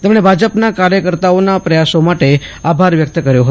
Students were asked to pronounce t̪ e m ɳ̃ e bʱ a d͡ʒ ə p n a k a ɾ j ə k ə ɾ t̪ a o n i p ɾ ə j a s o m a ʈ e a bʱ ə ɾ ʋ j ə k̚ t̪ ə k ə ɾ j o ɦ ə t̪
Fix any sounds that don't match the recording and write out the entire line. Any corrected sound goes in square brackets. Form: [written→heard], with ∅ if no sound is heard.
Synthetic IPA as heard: t̪ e m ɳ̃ e bʱ a d͡ʒ ə p n a k a ɾ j ə k ə ɾ t̪ a o n [i→a] p ɾ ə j a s o m a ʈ e a bʱ [ə→a] ɾ ʋ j ə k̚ t̪ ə k ə ɾ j o ɦ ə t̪